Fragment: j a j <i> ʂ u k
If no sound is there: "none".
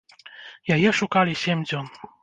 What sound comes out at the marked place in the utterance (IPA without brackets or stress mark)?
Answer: ɛ